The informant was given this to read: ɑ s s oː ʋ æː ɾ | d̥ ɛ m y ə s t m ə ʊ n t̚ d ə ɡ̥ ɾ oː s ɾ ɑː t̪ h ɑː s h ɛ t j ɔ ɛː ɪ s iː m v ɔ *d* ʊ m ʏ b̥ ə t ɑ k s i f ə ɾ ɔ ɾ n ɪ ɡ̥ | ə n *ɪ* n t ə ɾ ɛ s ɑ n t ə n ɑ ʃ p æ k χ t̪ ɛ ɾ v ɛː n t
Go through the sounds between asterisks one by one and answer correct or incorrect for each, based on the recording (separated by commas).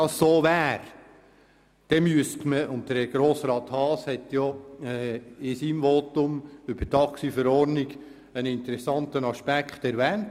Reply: incorrect, correct